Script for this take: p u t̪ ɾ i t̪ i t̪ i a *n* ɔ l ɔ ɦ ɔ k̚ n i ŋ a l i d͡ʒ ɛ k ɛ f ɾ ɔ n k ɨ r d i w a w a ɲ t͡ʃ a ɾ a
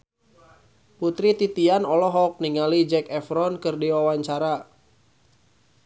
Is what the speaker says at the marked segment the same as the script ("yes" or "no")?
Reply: yes